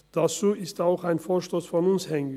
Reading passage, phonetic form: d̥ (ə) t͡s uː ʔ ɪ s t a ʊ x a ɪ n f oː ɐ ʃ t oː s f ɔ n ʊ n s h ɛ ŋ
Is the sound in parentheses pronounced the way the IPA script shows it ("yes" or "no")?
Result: no